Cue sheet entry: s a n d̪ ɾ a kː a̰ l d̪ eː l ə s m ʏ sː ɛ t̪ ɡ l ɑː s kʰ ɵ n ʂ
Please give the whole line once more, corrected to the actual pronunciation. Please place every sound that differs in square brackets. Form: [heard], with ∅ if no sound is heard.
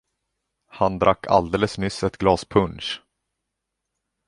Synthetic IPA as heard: [h] a n d̪ ɾ a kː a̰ l d̪ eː l ə s m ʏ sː ɛ t̪ ɡ l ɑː s [pʰ] ɵ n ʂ